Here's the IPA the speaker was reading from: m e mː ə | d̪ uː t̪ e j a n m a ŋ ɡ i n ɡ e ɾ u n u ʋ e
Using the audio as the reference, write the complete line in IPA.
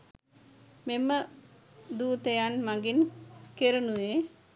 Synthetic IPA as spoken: m e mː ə | d̪ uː t̪ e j a n m a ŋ ɡ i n k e ɾ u n u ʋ e